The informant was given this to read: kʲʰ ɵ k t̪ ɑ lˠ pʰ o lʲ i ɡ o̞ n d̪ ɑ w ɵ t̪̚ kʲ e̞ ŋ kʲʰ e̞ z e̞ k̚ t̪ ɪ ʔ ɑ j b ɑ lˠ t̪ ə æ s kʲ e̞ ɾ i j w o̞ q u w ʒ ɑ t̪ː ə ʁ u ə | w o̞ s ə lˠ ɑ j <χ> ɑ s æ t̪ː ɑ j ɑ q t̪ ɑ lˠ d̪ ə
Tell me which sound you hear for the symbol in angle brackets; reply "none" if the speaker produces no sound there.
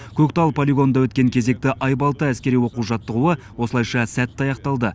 ʃ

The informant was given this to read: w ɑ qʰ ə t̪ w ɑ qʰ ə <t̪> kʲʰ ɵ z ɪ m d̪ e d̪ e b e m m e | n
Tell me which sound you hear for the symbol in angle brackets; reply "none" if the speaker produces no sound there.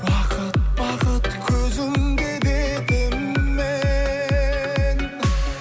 t̪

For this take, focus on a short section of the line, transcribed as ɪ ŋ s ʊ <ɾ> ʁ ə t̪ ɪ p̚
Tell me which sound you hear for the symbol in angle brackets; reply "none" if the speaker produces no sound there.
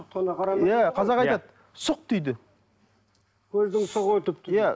none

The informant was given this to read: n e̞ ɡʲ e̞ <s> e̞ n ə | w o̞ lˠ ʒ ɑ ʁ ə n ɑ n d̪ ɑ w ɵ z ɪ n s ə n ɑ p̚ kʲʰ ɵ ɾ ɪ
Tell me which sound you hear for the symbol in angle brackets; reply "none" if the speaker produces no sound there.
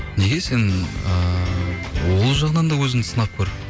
s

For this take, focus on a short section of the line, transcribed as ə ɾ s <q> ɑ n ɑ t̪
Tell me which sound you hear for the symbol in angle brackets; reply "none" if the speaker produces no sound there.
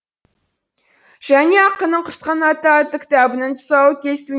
q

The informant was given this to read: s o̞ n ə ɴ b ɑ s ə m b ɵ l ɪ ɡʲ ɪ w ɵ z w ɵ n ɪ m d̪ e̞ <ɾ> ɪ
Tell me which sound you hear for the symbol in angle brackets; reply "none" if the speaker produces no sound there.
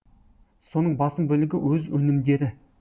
ɾ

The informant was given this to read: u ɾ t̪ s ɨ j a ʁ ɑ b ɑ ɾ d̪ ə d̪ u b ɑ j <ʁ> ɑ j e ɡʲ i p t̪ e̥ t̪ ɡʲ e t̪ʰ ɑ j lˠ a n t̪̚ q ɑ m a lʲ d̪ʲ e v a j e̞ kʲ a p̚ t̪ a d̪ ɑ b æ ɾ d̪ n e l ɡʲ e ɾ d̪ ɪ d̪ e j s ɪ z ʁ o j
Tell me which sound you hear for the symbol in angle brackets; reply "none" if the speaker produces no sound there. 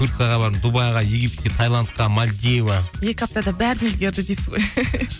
ʁ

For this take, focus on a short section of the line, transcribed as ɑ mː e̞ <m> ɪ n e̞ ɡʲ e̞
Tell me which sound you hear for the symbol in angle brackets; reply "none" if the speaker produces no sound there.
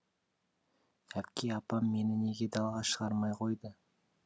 n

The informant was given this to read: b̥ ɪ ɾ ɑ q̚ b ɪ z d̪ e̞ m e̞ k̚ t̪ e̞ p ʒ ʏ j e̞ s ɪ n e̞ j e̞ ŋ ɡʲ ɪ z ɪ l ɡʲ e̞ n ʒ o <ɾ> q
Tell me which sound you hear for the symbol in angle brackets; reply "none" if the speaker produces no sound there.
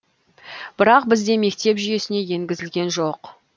none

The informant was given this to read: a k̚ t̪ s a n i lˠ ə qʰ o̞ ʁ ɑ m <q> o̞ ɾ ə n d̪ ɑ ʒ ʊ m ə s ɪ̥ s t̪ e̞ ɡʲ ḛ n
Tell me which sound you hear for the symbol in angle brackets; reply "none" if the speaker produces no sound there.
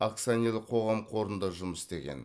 qʰ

